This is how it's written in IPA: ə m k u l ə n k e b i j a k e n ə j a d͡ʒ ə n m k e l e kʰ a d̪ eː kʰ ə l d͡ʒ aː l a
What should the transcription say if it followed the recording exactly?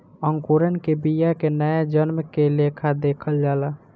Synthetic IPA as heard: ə ŋ k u ɾ ə n k e b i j a k e n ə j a d͡ʒ ə n m k e l e kʰ a d̪ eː kʰ ə l d͡ʒ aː l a